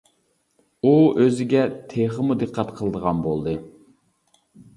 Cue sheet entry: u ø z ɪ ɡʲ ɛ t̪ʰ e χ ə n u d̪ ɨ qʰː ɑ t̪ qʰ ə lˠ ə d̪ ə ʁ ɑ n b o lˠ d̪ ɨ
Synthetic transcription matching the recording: u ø z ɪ ɡʲ ɛ t̪ʰ e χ ə m u d̪ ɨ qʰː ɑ t̪ qʰ ə lˠ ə d̪ ə ʁ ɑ n b o lˠ d̪ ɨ